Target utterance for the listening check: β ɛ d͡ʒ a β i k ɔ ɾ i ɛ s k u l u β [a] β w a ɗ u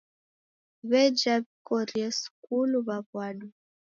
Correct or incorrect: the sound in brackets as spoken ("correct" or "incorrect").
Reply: correct